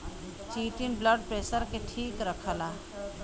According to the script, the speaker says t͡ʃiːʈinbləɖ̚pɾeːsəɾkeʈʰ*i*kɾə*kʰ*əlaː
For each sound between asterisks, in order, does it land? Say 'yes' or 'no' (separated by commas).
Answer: no, yes